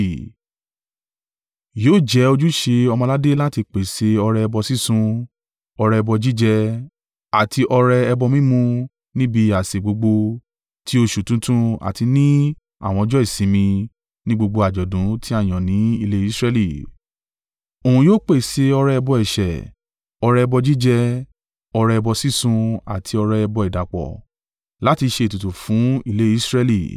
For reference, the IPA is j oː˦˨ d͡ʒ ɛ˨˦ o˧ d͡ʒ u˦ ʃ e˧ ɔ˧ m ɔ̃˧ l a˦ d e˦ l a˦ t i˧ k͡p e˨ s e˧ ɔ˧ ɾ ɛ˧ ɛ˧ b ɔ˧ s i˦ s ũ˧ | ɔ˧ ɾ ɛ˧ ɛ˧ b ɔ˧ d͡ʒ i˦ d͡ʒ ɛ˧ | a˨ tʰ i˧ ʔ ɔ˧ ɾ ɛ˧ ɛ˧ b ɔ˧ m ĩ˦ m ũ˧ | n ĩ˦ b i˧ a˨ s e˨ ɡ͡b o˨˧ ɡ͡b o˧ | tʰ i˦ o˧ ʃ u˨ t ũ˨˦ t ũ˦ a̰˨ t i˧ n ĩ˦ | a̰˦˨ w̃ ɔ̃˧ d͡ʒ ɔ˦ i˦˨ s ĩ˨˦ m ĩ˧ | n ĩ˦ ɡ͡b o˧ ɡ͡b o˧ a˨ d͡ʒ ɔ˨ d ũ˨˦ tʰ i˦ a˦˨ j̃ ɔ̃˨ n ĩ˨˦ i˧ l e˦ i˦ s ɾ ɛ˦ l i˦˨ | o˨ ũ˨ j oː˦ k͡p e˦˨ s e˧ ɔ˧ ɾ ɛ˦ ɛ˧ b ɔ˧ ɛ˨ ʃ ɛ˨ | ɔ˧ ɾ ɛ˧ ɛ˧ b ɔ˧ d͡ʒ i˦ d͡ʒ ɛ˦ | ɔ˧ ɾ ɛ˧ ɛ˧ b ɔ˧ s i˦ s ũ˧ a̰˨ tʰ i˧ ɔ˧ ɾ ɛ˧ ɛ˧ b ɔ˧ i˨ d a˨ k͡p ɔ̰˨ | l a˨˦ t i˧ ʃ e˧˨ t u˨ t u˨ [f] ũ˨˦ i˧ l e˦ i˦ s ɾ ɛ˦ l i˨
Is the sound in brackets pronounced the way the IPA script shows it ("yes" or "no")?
yes